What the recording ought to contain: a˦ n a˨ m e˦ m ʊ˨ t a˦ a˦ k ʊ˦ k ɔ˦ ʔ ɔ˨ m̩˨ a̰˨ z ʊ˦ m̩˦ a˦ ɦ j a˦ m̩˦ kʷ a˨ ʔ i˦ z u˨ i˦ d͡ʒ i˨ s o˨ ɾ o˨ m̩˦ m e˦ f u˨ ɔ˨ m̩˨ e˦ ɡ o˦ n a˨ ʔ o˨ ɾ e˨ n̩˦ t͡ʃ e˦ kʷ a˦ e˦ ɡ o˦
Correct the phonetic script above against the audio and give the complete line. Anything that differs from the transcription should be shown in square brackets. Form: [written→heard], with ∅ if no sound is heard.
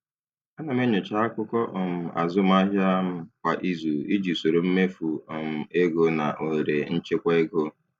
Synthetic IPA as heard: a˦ n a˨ m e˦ [m→ɲ] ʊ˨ [t→t͡ʃ] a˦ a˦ k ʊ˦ k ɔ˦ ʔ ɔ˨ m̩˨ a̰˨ z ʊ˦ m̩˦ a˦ ɦ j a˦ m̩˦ kʷ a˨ ʔ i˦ z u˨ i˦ d͡ʒ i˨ s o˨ ɾ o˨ m̩˦ m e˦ f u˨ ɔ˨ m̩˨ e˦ ɡ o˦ n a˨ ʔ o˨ ɾ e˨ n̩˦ t͡ʃ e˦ kʷ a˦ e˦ ɡ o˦